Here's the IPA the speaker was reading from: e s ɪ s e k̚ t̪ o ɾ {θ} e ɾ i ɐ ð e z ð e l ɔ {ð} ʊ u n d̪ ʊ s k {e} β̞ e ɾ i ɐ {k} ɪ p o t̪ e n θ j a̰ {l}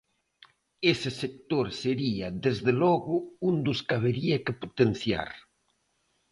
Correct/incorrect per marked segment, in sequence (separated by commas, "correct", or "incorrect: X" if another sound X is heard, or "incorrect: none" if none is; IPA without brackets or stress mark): incorrect: s, incorrect: ɣ, incorrect: a, correct, incorrect: ɾ